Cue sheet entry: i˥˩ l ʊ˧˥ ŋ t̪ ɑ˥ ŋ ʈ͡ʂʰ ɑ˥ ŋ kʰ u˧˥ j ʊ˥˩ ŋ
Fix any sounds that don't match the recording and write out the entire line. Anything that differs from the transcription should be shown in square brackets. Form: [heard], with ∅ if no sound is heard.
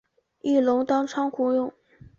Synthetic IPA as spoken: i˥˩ l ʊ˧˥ ŋ t̪ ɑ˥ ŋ ʈ͡ʂʰ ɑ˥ ŋ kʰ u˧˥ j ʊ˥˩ ŋ